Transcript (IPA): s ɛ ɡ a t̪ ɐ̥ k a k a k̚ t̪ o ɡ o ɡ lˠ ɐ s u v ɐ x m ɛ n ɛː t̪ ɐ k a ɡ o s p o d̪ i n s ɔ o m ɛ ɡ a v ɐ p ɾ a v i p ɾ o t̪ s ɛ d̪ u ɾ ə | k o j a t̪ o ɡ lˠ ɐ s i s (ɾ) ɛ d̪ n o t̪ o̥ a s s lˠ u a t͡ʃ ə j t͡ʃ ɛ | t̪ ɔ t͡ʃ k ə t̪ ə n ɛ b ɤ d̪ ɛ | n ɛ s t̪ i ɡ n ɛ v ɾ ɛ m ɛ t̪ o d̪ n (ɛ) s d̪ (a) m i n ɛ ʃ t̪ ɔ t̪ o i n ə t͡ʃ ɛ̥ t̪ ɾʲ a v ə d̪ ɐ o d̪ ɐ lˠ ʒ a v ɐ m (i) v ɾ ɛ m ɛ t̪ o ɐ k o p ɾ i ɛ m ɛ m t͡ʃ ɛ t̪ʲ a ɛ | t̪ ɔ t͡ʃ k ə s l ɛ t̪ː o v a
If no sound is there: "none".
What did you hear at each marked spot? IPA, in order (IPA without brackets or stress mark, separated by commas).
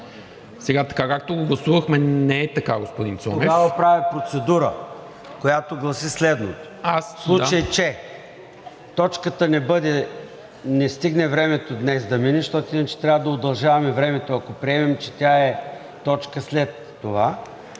l, ɛ, ɐ, ɛ